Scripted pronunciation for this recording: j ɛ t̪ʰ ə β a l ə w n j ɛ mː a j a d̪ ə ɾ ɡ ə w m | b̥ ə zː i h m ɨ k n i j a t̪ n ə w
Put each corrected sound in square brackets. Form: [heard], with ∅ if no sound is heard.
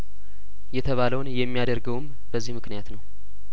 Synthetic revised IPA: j ɛ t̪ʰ ə β a l ə w n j ɛ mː [i] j a d̪ ə ɾ ɡ ə w m | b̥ ə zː i h m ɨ k n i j a t̪ n ə w